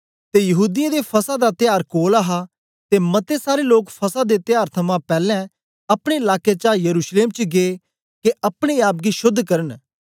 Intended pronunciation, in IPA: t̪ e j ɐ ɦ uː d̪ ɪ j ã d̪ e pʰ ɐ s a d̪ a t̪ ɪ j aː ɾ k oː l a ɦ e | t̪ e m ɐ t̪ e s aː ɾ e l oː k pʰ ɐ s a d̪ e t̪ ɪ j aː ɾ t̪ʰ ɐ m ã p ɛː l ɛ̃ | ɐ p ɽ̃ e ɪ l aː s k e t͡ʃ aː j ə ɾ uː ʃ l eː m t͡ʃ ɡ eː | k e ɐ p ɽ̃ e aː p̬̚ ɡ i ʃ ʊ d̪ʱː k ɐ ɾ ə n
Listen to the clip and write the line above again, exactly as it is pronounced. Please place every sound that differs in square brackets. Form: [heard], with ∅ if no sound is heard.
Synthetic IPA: t̪ e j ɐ ɦ uː d̪ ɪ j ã d̪ e pʰ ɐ s a d̪ a t̪ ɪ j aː ɾ k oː l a ɦ [a] | t̪ e m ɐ t̪ e s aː ɾ e l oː k pʰ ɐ s a d̪ e t̪ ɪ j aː ɾ t̪ʰ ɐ m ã p ɛː l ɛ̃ | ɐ p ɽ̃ e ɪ l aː [∅] k e t͡ʃ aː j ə ɾ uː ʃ l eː m t͡ʃ ɡ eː | k e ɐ p ɽ̃ e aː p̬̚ ɡ i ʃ ʊ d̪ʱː k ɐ ɾ ə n